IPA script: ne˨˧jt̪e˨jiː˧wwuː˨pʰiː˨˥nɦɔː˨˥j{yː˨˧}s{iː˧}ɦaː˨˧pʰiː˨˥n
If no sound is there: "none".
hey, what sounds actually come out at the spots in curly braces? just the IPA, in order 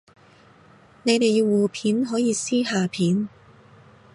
iː˨˧, iː˥

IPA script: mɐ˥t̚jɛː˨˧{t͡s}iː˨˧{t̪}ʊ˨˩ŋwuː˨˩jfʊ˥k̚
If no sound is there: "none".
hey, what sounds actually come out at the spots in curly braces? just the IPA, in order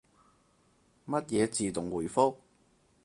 t͡s, t̪

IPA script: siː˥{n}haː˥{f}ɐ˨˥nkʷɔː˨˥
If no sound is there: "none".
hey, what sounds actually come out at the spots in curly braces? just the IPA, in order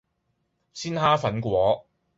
n, f

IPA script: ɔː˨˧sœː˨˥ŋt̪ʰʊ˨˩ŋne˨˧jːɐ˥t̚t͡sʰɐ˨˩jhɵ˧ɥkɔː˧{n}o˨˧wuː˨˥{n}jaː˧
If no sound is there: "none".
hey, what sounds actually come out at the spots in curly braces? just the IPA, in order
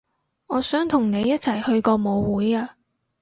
m, none

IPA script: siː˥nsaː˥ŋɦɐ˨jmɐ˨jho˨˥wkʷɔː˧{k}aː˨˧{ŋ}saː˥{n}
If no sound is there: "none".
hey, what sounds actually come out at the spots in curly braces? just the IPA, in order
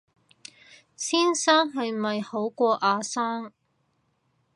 ʔ, none, ŋ

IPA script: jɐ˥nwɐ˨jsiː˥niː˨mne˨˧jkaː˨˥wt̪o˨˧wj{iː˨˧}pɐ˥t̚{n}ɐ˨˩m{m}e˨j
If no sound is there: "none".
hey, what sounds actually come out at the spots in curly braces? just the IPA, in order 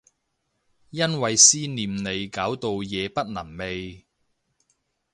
ɛː˨˧, n, m

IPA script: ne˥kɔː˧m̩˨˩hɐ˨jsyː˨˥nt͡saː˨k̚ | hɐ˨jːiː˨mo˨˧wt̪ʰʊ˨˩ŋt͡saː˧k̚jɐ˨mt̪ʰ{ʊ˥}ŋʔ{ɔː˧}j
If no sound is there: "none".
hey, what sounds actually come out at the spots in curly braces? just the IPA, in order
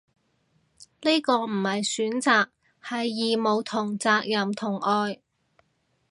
ʊ˨˩, ɔː˧

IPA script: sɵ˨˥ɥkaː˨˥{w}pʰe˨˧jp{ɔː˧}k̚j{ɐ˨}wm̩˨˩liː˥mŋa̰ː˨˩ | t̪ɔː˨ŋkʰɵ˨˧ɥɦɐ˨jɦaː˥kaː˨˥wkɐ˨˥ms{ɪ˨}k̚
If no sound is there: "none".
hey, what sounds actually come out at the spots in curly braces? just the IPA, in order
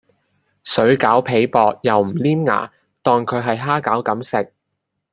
w, ɔː˧, ɐ˨, ɪ˨

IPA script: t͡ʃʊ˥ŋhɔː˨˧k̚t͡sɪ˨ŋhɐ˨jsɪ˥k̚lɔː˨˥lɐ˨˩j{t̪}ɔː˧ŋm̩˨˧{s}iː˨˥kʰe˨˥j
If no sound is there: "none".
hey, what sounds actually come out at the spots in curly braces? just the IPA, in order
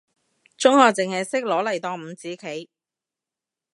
t̪, t͡s

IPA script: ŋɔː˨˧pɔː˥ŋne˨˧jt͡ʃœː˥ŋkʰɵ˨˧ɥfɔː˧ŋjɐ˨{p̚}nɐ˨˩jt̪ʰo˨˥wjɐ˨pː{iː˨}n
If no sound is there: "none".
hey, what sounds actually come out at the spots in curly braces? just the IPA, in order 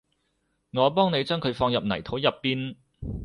p̚, iː˥

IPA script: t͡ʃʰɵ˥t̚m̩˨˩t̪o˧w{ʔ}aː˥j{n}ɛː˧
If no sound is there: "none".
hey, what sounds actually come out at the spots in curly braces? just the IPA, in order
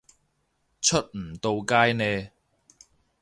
k, n

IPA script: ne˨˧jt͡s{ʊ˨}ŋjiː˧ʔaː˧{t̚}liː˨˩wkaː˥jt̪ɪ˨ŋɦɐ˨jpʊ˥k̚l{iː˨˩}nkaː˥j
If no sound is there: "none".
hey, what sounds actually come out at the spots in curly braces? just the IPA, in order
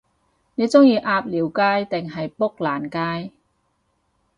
ʊ˥, p̚, aː˨˩

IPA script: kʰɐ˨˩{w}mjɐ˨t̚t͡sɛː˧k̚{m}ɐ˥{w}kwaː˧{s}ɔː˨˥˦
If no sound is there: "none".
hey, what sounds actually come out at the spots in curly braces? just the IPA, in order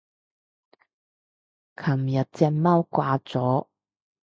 none, m, w, t͡s

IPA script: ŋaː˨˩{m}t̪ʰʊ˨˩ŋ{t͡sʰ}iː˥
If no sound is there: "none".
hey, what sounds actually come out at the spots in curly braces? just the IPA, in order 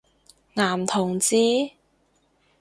m, t͡s

